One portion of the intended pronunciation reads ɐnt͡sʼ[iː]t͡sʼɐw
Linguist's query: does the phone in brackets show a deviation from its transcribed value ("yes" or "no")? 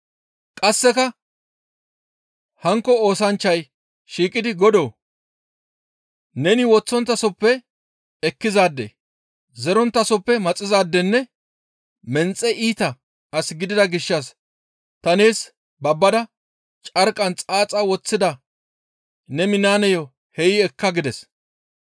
yes